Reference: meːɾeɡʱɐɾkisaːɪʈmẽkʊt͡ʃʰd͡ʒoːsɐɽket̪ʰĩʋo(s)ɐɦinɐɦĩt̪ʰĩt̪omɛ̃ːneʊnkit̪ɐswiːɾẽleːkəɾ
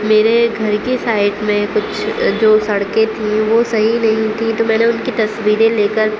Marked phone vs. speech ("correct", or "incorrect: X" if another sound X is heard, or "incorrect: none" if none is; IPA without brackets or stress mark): correct